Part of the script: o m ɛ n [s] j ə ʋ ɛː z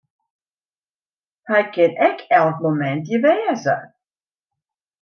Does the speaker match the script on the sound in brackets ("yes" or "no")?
no